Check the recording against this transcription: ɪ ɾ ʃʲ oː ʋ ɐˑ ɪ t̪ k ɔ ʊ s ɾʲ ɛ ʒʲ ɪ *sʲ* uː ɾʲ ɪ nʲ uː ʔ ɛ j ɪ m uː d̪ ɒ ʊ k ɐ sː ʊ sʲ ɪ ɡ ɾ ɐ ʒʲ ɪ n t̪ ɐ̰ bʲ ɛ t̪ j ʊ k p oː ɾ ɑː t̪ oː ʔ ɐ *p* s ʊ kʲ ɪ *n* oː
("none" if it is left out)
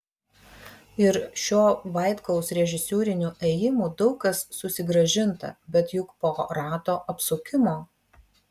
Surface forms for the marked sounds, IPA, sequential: sʲ, p, m

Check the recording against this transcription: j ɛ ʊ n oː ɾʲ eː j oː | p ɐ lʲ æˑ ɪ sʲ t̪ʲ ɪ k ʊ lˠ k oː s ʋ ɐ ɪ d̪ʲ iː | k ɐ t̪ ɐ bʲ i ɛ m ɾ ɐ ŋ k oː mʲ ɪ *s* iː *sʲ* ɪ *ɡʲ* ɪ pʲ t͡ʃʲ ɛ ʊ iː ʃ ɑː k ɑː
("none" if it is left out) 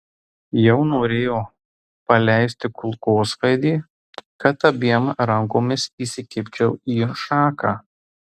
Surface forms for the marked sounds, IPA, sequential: s, sʲ, kʲ

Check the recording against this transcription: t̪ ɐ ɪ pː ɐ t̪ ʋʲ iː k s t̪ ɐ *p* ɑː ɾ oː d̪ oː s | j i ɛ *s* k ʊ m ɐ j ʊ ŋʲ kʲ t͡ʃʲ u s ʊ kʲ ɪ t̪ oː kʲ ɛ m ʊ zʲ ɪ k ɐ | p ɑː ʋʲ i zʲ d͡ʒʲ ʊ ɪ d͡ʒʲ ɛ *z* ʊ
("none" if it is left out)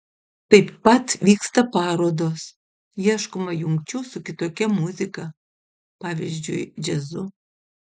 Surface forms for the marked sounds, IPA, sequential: p, ʃ, z

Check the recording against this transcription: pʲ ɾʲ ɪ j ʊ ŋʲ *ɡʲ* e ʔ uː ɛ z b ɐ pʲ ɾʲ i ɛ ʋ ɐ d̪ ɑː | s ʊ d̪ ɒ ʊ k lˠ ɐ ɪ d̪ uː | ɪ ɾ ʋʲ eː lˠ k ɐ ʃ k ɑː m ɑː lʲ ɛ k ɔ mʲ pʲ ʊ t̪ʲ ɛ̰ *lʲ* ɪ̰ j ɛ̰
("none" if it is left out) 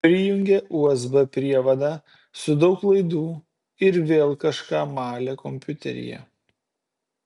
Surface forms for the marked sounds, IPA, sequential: ɡʲ, ɾʲ

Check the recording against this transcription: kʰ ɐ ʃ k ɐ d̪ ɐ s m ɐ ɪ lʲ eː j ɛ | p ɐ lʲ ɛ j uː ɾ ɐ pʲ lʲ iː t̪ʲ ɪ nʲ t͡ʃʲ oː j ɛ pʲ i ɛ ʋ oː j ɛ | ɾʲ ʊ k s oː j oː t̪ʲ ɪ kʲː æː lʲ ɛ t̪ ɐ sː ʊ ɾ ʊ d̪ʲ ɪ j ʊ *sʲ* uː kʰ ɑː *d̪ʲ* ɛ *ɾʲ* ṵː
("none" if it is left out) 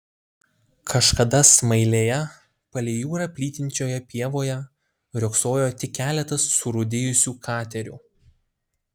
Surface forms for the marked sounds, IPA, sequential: sʲ, t̪ʲ, ɾʲ

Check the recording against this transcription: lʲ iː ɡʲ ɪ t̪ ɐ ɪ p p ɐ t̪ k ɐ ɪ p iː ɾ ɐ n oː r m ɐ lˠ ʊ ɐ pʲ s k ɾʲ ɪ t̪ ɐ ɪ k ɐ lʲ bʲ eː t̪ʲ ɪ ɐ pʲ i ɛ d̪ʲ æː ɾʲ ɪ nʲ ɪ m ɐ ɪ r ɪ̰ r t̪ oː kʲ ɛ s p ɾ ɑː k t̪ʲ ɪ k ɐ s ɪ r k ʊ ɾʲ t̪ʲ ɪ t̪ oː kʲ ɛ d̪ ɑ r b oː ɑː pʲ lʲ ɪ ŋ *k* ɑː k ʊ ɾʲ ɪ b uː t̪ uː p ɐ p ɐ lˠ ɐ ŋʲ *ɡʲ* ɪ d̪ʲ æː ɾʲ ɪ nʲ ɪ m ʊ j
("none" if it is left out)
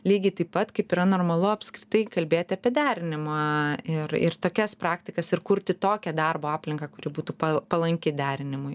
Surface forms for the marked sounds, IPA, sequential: k, kʲ

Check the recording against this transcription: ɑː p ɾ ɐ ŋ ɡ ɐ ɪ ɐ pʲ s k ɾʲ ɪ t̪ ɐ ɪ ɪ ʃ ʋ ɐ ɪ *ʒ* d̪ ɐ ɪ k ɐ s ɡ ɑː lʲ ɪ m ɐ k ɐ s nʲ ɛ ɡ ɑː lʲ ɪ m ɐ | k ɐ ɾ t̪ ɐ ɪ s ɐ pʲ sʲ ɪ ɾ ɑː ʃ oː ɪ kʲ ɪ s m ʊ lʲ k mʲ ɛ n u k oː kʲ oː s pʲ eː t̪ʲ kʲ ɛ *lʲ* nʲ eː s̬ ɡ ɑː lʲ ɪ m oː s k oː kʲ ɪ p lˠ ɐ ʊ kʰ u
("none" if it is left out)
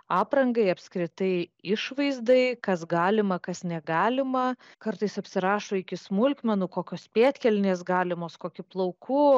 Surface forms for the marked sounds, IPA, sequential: z, lʲ

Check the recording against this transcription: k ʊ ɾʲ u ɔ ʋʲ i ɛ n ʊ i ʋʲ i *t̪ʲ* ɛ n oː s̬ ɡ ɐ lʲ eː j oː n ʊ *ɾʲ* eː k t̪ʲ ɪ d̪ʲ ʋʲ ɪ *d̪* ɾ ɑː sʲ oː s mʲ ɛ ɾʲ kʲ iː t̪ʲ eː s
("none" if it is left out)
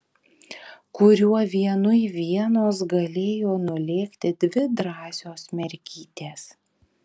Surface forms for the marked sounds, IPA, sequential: none, lʲ, d̪

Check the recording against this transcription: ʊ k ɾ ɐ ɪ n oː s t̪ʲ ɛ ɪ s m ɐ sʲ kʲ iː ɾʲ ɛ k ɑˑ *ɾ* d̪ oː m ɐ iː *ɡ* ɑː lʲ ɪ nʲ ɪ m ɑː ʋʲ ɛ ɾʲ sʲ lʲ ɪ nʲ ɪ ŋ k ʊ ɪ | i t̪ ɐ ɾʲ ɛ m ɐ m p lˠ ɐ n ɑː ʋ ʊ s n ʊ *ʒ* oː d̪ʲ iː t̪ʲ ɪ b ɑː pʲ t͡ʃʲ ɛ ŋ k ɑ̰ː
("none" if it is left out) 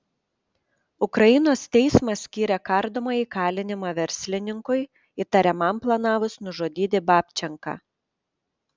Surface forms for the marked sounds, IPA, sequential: ɾ, k, ʒ

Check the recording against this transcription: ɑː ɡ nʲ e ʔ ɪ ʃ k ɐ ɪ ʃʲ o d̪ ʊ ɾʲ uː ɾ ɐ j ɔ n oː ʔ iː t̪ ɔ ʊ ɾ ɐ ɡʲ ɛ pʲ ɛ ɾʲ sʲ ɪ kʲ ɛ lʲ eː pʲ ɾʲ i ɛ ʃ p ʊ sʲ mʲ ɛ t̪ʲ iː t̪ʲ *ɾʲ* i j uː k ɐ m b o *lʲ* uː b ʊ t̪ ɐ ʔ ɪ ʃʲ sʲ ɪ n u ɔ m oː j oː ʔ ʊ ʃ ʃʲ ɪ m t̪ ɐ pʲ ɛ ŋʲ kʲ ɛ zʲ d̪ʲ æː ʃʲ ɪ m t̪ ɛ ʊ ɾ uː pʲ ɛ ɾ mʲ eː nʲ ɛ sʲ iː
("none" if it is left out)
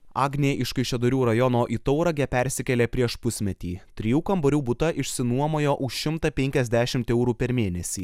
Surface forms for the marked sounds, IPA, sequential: ɾʲ, ɾʲ

